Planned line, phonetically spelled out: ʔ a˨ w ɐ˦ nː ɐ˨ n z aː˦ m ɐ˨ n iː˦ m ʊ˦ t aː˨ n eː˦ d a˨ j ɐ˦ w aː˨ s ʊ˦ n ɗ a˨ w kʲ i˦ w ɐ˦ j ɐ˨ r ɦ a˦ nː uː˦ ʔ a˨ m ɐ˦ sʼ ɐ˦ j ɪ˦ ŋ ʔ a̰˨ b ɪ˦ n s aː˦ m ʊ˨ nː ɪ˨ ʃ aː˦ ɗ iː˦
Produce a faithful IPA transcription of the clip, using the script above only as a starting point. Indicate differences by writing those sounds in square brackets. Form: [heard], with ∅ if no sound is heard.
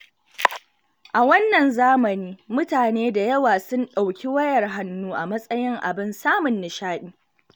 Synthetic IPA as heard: ʔ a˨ w ɐ˦ nː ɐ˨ n z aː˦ m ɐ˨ n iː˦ m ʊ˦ t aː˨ n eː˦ d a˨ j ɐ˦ w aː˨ s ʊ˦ n ɗ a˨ w kʲ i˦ w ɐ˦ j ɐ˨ r ɦ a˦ nː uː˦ ʔ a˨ m ɐ˦ sʼ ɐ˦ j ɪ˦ ŋ ʔ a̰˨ b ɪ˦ n s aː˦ m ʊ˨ nː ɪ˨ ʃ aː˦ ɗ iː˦